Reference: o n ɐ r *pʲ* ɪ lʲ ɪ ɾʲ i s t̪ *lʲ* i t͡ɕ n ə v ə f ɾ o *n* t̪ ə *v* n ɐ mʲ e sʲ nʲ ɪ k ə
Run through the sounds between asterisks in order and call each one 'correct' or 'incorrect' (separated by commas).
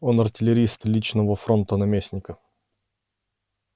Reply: incorrect, correct, correct, incorrect